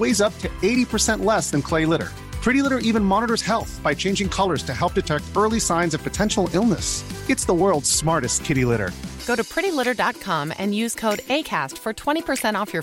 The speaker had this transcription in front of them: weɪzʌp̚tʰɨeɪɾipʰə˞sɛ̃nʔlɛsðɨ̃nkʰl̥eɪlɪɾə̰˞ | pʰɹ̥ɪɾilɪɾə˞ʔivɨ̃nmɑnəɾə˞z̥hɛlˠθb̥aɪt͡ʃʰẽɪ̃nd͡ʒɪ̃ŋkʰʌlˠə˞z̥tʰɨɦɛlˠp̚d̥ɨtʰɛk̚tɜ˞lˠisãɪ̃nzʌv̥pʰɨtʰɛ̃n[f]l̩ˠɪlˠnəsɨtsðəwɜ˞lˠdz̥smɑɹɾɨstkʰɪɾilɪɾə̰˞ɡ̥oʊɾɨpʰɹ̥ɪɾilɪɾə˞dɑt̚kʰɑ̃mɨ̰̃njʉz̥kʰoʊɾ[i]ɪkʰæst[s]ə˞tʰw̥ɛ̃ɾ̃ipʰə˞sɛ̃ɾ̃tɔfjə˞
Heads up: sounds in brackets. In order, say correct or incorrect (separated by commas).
incorrect, incorrect, incorrect